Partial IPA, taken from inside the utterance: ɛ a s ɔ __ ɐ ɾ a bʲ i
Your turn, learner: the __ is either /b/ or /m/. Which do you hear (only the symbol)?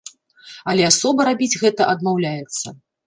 b